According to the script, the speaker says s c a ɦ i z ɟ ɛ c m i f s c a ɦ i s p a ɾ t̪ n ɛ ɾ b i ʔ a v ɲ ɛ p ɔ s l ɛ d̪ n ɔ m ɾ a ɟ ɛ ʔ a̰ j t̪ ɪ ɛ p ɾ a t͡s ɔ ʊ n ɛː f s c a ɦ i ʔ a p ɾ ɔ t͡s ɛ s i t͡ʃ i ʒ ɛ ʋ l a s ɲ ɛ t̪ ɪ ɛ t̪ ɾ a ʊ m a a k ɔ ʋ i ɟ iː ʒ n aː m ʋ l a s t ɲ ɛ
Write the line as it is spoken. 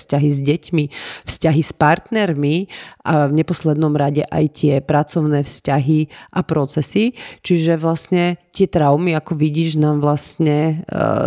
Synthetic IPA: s c a ɦ i z ɟ ɛ c m i f s c a ɦ i s p a ɾ t̪ n ɛ ɾ m i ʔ a v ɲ ɛ p ɔ s l ɛ d̪ n ɔ m ɾ a ɟ ɛ ʔ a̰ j t̪ ɪ ɛ p ɾ a t͡s ɔ ʊ n ɛː f s c a ɦ i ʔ a p ɾ ɔ t͡s ɛ s i t͡ʃ i ʒ ɛ ʋ l a s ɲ ɛ t̪ ɪ ɛ t̪ ɾ a ʊ m i a k ɔ ʋ i ɟ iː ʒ n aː m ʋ l a s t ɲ ɛ